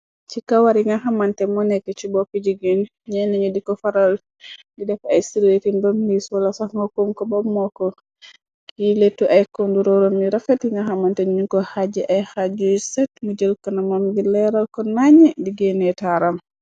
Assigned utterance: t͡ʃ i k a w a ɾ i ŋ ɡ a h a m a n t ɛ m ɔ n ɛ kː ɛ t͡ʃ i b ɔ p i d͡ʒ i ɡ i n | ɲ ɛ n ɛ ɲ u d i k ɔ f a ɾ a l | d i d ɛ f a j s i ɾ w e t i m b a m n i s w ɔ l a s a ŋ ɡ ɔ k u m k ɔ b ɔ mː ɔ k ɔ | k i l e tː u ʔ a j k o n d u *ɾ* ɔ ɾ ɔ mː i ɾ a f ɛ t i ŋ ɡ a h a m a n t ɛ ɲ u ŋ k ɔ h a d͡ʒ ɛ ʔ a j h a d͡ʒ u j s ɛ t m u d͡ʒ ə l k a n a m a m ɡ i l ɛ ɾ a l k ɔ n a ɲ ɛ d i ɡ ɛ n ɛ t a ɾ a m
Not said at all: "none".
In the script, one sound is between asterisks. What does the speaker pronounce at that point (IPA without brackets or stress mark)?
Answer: ɾ